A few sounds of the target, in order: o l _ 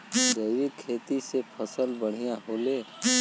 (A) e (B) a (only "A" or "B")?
A